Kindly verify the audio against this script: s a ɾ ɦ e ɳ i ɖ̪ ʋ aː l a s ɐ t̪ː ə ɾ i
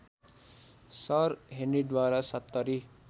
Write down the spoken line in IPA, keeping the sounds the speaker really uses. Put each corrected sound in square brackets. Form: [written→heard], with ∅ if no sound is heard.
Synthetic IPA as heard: s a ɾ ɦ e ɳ i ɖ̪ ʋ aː [l→ɾ] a s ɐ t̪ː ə ɾ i